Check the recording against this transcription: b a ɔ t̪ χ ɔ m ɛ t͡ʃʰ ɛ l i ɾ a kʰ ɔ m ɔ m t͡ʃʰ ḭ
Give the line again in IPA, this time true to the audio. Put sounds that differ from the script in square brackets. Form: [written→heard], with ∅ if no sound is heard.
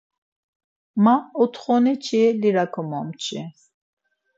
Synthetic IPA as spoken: [b→m] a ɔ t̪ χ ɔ [m→n] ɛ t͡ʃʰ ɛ l i ɾ a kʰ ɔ m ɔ m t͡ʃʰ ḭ

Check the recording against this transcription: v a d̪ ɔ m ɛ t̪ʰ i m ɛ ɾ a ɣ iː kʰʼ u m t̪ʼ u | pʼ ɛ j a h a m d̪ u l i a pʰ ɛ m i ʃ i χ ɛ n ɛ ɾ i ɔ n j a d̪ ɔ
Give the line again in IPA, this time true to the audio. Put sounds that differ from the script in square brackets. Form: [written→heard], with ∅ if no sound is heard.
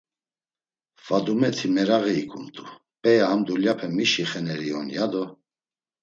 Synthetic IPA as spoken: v a d̪ [ɔ→u] m ɛ t̪ʰ i m ɛ ɾ a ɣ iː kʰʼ u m t̪ʼ u | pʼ ɛ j a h a m d̪ u l [i→j] a pʰ ɛ m i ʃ i χ ɛ n ɛ ɾ i ɔ n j a d̪ ɔ

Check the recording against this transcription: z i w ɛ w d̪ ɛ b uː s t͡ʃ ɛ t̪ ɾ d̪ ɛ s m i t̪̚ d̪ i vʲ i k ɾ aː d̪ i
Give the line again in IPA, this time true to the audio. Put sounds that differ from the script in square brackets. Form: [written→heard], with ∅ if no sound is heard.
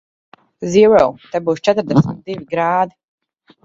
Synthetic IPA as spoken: z i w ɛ w [d̪→t̪] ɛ b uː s t͡ʃ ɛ t̪ ɾ d̪ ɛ s m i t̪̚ d̪ i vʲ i [k→ɡ] ɾ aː d̪ i

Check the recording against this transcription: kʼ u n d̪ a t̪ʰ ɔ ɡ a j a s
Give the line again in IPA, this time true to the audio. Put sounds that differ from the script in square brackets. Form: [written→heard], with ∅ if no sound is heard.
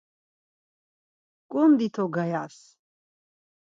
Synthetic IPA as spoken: kʼ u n d̪ [a→i] t̪ʰ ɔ ɡ a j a s

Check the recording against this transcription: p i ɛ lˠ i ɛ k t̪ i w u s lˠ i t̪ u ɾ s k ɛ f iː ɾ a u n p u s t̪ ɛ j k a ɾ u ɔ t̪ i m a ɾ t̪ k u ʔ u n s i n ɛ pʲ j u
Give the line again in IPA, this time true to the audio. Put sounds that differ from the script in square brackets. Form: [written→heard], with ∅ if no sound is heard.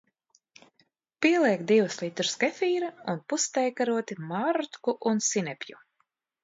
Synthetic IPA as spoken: p i ɛ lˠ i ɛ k [t̪→d̪] i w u s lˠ i t̪ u ɾ s k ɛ f iː ɾ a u n p u s t̪ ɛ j k a ɾ u ɔ t̪ i m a ɾ t̪ k u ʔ u n s i n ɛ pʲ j u

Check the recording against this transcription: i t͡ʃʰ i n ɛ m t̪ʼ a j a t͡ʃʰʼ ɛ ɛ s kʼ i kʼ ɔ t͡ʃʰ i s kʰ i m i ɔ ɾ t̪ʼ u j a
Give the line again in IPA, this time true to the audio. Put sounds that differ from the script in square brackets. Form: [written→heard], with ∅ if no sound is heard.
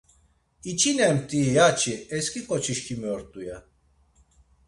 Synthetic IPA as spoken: i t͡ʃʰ i n ɛ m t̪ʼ [a→i] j a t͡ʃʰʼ [ɛ→i] ɛ s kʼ i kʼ ɔ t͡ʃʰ i [s→ʃ] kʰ i m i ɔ ɾ t̪ʼ u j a

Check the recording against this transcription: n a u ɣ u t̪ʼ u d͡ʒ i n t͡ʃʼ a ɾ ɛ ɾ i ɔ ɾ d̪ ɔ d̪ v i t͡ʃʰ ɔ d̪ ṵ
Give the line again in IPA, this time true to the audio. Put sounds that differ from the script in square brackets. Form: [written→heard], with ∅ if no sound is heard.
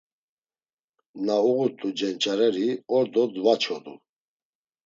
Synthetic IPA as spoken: n a u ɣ u t̪ʼ u d͡ʒ [i→ɛ] n t͡ʃʼ a ɾ ɛ ɾ i ɔ ɾ d̪ ɔ d̪ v [i→a] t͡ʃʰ ɔ d̪ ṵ

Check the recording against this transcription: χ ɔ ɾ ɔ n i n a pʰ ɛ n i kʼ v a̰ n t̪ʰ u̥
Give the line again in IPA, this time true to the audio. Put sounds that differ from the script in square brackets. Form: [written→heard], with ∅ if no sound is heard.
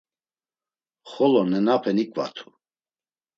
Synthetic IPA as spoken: χ ɔ [ɾ→l] ɔ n [i→ɛ] n a pʰ ɛ n i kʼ v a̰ [n→∅] t̪ʰ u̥

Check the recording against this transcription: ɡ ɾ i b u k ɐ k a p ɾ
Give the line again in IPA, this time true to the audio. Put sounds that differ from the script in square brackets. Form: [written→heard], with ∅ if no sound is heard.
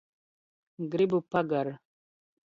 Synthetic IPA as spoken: ɡ ɾ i b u [k→p] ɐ [k→ɡ] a [p→∅] ɾ

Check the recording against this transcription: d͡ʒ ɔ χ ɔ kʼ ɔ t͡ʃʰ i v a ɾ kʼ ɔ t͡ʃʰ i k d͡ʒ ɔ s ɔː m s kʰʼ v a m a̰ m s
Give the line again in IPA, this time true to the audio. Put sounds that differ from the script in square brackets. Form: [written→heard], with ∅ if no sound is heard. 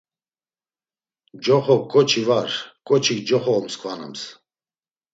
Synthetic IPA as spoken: d͡ʒ ɔ χ ɔ kʼ ɔ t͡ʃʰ i v a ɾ kʼ ɔ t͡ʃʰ i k d͡ʒ ɔ [s→χ] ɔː m s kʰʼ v a [m→n] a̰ m s

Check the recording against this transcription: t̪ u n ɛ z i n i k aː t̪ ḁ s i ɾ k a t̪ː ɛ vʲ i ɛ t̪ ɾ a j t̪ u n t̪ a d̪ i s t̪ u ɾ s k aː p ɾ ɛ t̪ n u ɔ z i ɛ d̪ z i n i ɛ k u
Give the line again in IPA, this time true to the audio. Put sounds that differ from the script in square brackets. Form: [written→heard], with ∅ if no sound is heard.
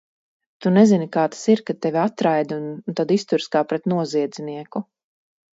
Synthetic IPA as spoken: t̪ u n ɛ z i n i k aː t̪ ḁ s i ɾ k a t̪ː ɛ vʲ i [ɛ→a] t̪ ɾ a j [t̪→d̪] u n t̪ a d̪ i s t̪ u ɾ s k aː p ɾ ɛ t̪ n u ɔ z i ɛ d̪ z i n i ɛ k u

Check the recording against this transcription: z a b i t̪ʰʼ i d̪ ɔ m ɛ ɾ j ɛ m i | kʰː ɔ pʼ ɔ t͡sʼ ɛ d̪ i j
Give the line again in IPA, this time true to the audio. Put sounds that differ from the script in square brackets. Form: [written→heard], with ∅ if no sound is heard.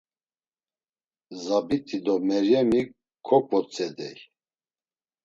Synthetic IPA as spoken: z a b i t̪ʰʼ i d̪ ɔ m ɛ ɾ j ɛ m i | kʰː ɔ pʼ ɔ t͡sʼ ɛ d̪ [i→ɛ] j

